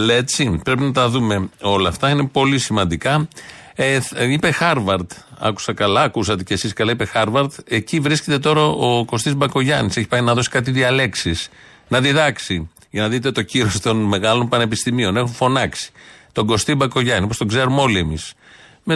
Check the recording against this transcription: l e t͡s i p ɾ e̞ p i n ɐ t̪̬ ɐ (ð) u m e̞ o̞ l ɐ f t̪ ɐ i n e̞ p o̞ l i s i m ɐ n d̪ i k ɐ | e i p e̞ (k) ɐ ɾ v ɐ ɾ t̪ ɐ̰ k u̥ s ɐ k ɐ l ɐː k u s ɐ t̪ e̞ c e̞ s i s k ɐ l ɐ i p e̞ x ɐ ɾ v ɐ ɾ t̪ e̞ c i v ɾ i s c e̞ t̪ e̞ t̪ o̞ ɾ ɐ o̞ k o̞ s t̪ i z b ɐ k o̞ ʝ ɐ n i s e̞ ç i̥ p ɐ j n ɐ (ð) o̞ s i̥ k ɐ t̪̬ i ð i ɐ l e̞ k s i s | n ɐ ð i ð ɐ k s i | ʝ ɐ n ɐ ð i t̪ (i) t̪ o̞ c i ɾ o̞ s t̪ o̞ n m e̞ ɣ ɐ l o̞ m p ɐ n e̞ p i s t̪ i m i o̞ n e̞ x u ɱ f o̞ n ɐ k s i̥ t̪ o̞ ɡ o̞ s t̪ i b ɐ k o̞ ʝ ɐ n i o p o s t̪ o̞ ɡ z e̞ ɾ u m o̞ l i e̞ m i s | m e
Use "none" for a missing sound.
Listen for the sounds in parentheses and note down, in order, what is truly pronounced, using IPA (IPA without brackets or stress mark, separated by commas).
ð, x, ð, e